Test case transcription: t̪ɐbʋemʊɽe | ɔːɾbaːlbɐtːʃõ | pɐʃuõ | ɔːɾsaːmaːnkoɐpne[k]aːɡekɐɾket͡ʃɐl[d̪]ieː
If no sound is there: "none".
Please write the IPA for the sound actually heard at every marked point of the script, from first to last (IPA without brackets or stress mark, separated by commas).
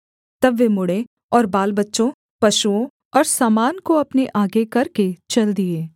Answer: ʔ, d̪